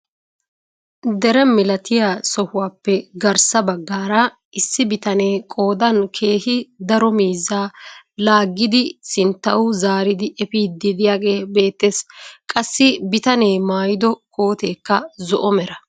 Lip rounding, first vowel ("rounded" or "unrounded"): unrounded